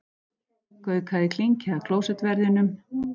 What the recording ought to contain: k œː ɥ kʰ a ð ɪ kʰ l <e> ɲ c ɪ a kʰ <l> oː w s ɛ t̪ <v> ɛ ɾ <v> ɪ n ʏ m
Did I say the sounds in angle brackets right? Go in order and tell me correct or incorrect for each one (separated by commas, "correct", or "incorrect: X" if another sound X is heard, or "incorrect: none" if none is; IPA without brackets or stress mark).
incorrect: i, correct, correct, incorrect: ð